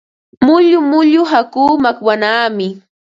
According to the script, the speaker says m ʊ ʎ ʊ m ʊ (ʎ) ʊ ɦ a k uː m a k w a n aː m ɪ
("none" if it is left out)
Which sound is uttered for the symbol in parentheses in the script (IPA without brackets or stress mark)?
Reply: ʎ